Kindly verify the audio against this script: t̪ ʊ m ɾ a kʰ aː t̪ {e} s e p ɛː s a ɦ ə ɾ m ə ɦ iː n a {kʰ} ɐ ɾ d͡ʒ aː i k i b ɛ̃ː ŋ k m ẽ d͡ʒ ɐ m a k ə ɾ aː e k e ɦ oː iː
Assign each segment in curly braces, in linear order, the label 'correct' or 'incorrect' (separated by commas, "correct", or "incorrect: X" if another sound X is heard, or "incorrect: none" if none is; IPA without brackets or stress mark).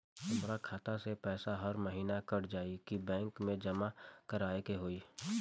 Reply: incorrect: a, incorrect: k